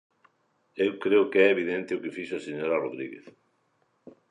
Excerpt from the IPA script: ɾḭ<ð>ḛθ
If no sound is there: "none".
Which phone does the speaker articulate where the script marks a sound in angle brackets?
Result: ɣ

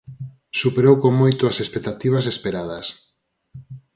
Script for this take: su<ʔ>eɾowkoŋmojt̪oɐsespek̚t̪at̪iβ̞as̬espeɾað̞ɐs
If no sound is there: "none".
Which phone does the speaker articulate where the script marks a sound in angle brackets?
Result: p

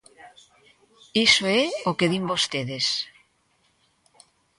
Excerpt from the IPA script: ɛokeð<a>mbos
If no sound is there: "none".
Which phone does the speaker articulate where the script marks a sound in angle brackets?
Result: i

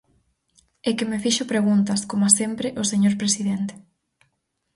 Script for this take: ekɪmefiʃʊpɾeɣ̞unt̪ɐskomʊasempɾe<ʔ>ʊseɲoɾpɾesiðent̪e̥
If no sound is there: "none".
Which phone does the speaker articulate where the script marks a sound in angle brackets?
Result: ʔ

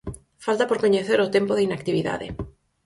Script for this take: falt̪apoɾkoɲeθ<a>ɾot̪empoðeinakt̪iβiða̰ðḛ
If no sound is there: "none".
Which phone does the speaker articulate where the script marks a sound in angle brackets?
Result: e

